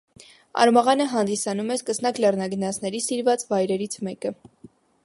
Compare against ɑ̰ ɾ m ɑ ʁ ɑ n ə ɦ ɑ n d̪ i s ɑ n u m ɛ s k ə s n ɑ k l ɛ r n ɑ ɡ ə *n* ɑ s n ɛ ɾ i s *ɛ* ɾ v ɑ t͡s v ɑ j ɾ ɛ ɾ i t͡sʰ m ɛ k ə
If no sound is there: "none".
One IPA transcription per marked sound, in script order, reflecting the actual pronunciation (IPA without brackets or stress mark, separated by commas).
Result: n, i